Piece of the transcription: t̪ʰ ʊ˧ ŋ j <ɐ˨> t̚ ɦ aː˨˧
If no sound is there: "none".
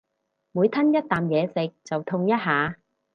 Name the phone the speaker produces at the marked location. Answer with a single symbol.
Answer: ɐ˥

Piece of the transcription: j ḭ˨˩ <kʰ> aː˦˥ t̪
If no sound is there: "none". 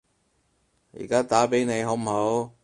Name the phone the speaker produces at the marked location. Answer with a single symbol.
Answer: k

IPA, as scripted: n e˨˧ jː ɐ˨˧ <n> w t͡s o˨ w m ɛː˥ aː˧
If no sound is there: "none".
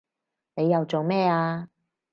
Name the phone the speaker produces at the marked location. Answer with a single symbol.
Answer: none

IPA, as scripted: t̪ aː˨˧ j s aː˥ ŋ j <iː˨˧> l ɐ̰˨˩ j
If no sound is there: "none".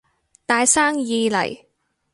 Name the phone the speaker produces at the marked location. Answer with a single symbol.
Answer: iː˨˧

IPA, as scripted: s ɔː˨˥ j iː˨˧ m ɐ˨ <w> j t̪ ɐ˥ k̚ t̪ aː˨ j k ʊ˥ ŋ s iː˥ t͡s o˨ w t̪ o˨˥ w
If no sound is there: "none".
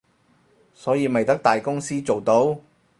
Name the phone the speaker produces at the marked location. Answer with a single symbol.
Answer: none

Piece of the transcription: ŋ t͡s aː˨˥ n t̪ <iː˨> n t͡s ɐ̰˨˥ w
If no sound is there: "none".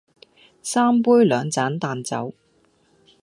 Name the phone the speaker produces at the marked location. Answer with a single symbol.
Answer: aː˨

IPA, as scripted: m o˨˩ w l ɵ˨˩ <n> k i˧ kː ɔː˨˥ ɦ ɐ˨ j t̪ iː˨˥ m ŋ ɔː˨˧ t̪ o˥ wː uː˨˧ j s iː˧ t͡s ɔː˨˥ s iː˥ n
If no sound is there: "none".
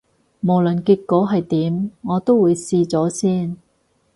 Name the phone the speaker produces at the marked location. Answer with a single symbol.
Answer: n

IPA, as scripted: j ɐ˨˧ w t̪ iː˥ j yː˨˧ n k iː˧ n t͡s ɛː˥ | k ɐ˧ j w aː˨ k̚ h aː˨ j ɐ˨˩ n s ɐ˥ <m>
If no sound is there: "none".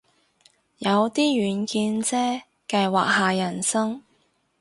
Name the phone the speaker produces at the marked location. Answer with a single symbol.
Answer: ŋ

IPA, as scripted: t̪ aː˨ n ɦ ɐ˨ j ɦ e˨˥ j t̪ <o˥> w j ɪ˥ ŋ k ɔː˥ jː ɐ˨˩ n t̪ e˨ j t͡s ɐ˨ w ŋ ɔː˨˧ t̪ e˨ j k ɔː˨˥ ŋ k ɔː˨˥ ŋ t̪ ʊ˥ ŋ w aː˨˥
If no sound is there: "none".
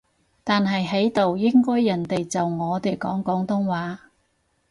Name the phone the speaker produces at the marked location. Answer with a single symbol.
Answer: o˨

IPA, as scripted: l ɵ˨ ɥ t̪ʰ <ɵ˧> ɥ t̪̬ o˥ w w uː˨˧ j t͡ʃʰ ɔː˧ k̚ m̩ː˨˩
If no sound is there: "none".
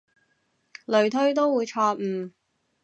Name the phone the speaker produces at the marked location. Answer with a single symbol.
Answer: ɵ˥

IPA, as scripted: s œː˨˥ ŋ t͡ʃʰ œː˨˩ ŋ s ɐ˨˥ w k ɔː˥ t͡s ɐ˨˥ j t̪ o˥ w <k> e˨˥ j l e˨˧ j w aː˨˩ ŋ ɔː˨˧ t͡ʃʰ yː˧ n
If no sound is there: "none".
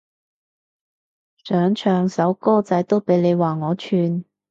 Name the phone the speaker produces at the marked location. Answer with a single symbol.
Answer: p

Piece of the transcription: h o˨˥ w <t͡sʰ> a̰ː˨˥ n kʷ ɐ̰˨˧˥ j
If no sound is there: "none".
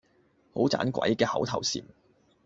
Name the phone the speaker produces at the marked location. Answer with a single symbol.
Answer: t͡s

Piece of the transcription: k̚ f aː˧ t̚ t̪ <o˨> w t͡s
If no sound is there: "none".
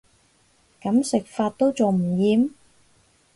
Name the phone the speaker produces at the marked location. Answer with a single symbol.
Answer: o˥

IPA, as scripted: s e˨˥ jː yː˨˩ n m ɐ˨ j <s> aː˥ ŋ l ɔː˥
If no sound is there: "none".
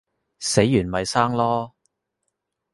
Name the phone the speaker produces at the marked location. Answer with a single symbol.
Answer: s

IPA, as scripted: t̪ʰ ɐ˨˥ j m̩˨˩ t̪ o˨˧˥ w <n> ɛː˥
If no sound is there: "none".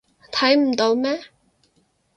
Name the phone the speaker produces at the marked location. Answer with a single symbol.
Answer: m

